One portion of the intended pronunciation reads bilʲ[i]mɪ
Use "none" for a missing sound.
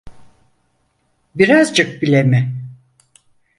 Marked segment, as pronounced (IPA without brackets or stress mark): e